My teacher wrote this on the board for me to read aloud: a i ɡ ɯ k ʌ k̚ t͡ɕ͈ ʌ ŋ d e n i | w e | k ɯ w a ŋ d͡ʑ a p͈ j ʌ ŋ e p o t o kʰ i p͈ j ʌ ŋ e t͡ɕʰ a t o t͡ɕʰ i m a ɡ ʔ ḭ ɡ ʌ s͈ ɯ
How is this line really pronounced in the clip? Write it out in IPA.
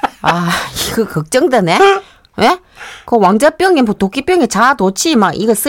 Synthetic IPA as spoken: a i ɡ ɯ k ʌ k̚ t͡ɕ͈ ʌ ŋ d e n e | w e | k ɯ w a ŋ d͡ʑ a p͈ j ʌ ŋ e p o t o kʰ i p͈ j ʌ ŋ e t͡ɕ a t o t͡ɕʰ i m a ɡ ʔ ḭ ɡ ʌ s͈ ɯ